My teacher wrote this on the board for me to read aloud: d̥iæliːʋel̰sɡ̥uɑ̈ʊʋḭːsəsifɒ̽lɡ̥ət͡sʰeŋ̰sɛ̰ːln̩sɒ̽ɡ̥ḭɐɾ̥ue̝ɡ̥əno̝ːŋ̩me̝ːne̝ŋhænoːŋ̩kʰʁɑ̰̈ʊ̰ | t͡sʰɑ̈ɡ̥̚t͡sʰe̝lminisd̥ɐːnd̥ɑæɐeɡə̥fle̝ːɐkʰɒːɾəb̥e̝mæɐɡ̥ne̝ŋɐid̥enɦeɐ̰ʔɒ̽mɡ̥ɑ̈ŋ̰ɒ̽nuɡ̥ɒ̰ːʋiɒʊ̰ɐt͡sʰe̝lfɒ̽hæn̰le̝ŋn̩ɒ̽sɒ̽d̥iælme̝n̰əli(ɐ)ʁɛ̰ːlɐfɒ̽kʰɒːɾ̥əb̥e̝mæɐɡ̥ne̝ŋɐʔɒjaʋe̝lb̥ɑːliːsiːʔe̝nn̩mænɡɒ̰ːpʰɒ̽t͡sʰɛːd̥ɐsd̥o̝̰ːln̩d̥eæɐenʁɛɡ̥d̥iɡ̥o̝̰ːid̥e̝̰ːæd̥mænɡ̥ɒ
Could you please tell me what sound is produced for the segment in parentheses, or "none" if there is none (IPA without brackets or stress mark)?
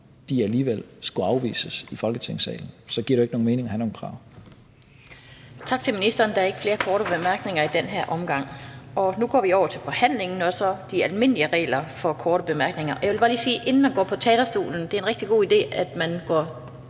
ə